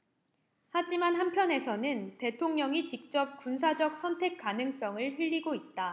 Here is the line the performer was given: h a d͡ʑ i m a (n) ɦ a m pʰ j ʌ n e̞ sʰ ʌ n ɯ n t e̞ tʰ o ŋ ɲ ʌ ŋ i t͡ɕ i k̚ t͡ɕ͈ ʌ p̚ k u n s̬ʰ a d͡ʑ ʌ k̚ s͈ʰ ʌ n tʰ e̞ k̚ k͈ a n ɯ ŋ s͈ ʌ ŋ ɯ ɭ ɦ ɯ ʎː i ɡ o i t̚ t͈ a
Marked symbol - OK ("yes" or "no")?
yes